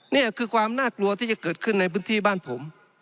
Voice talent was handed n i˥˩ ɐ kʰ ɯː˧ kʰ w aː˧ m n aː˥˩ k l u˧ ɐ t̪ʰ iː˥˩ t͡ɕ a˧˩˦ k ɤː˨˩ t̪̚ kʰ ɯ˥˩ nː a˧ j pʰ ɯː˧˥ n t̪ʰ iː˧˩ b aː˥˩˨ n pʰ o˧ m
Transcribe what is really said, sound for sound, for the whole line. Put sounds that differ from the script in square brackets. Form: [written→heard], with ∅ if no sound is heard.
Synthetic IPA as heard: n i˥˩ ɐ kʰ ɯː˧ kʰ w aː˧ m n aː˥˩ k l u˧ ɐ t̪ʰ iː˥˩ t͡ɕ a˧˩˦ k ɤː˨˩ t̪̚ kʰ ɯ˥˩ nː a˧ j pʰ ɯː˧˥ n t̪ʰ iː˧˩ b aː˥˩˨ n pʰ [o˧→o˩˦] m